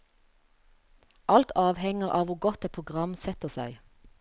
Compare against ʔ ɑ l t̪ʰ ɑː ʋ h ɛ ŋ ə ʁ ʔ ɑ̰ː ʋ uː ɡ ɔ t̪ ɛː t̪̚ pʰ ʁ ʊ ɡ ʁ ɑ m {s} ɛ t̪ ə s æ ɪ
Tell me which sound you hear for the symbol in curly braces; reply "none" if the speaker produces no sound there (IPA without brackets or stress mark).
s